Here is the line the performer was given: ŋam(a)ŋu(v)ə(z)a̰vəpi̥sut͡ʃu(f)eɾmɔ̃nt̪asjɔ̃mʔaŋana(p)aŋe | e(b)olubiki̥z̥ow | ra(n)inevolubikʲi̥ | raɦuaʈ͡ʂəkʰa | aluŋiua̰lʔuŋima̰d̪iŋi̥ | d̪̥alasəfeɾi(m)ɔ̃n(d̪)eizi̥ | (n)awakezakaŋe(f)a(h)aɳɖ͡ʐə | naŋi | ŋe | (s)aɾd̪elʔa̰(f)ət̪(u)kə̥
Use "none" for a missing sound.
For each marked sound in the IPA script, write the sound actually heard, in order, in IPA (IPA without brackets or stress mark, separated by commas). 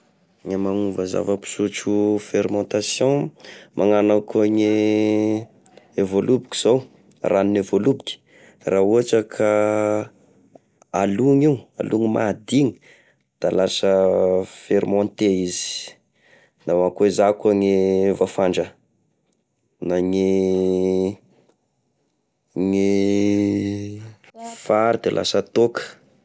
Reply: a, v, z, f, k, v, n, m, t̪, n, v, f, f, s, o